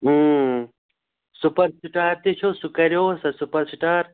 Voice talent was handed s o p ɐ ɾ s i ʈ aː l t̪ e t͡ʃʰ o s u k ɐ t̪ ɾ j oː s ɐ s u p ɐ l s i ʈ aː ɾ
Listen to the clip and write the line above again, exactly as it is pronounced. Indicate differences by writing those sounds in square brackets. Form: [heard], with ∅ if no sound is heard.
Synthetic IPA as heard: s [u] p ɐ ɾ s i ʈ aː [ɾ] t̪ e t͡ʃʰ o s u k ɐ [∅] ɾ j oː s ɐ s u p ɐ [ɾ] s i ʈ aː ɾ